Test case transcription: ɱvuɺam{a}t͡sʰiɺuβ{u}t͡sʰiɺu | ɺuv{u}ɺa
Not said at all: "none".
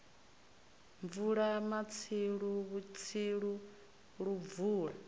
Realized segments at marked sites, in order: a, u, uː

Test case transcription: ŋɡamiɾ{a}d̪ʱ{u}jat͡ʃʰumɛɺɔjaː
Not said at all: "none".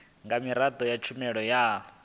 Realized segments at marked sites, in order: a, ɔ

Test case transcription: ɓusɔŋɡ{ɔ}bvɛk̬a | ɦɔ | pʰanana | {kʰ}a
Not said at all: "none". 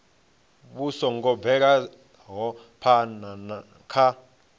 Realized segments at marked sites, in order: ɔ, kʰ

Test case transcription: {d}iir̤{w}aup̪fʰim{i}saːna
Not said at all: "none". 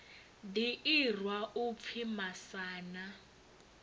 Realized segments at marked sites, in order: d, w, a

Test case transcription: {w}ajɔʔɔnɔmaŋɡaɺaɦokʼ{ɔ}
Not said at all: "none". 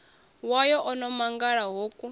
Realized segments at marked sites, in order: w, u

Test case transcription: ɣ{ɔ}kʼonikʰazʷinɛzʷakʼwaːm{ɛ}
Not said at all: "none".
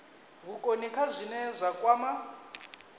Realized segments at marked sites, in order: u, a

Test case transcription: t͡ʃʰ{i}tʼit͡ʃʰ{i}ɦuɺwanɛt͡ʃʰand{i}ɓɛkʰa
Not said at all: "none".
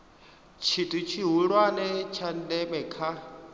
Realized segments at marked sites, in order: i, i, ɛ

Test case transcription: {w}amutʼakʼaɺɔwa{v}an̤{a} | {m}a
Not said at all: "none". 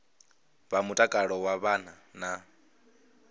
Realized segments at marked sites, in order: β, β, a, n

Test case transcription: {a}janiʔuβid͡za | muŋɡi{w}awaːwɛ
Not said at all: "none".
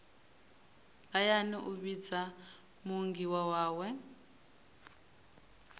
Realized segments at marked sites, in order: a, w

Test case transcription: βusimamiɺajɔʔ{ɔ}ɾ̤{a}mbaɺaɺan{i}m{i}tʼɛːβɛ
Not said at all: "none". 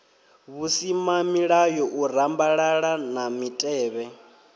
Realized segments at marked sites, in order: u, a, a, i

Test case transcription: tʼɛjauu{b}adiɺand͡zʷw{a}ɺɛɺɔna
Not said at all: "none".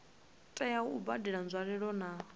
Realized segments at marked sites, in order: b, a

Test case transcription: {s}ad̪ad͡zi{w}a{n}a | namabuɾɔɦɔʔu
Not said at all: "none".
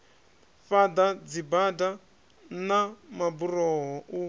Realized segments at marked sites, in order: f, b, d

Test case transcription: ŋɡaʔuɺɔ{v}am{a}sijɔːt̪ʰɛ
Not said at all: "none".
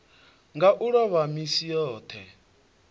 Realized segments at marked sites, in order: β, i

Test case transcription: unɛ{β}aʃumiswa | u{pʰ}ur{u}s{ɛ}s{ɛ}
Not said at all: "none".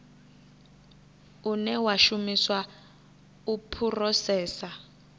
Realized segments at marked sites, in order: w, pʰ, ɔ, ɛː, a

